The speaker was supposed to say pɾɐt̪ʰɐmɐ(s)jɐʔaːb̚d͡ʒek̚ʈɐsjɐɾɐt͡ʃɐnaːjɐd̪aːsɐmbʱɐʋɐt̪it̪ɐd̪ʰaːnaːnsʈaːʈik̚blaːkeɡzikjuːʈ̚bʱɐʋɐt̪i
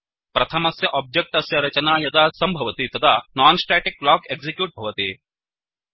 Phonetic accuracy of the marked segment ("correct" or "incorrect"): correct